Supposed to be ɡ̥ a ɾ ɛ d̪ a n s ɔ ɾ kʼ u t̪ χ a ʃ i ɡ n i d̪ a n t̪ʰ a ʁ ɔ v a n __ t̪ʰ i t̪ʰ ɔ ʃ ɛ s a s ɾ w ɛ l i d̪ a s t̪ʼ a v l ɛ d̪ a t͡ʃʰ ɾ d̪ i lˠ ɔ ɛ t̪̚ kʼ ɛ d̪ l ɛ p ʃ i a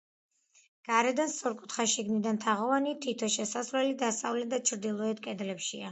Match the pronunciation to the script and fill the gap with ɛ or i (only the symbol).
i